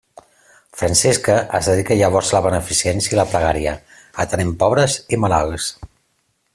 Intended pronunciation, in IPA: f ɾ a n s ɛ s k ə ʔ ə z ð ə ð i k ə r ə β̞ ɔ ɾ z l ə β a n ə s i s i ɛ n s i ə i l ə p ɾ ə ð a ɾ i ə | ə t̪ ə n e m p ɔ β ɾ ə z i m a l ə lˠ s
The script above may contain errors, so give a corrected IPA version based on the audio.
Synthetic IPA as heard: f ɾ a n s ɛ s k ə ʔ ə z ð ə ð i k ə ʎ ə β̞ ɔ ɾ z l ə β ə n ə f i s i ɛ n s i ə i l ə p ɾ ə ɣ a ɾ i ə | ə t̪ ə n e m p ɔ β ɾ ə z i m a l a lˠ s